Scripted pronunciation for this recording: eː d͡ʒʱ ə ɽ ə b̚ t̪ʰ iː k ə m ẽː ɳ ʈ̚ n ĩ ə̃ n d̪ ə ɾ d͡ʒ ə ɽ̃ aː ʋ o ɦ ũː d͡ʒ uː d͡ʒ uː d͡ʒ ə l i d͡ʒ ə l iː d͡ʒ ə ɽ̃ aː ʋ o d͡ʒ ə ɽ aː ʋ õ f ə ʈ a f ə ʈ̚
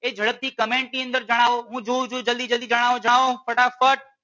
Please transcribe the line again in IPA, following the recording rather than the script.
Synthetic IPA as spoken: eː d͡ʒʱ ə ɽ ə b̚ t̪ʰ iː k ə m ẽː ɳ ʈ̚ n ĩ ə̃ n d̪ ə ɾ d͡ʒ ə ɽ̃ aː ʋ o ɦ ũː d͡ʒ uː d͡ʒ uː d͡ʒ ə l i d͡ʒ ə l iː d͡ʒ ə ɽ̃ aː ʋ o d͡ʒ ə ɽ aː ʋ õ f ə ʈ a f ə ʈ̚